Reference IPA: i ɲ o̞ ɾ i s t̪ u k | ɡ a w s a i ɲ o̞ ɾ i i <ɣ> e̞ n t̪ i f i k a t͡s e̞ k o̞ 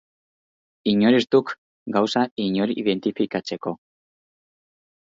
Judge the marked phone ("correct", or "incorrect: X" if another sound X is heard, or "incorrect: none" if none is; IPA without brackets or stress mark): incorrect: ð